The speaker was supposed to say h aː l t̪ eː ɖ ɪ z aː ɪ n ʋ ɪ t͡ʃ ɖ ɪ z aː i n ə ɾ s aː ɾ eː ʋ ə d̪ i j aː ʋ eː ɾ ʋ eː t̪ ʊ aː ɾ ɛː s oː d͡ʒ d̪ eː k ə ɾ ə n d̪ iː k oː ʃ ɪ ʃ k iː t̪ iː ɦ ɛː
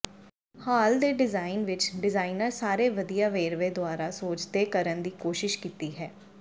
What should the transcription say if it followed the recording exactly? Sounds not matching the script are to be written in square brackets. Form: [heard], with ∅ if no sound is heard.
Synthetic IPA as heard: h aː l [d̪] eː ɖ ɪ z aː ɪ n ʋ ɪ t͡ʃ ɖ ɪ z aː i n ə ɾ s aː ɾ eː ʋ ə d̪ i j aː ʋ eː ɾ ʋ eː [d̪] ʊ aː ɾ [aː] s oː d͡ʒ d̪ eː k ə ɾ ə n d̪ iː k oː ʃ ɪ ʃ k iː t̪ iː ɦ ɛː